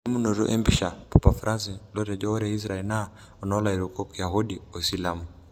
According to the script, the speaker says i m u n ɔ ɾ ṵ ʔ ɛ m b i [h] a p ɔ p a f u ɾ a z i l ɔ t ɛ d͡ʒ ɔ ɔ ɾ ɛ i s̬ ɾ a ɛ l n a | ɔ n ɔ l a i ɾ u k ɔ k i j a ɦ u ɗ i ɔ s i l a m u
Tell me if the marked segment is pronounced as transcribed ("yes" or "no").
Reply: no